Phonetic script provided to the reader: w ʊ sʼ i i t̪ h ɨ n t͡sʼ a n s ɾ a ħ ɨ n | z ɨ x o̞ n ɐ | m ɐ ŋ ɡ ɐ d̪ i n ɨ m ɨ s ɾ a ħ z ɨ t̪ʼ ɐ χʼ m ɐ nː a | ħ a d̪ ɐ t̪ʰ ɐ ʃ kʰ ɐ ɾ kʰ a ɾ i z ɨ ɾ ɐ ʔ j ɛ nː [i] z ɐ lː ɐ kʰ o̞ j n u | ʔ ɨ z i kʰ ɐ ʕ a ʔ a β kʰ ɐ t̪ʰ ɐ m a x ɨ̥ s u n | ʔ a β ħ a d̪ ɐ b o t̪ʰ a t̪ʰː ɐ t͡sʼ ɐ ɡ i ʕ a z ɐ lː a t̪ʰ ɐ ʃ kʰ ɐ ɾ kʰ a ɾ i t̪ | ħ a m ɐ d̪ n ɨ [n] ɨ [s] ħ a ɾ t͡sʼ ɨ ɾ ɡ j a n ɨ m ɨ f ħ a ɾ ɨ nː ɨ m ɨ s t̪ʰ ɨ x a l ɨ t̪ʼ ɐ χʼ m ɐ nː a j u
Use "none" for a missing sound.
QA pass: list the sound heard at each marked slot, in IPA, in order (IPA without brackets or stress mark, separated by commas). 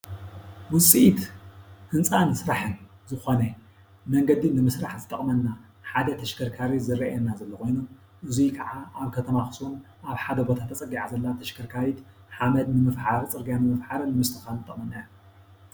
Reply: a, m, f